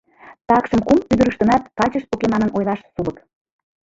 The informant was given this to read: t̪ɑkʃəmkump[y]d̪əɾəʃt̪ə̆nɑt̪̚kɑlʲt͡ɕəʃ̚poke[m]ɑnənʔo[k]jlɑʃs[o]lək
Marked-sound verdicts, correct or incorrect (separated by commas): correct, correct, incorrect, incorrect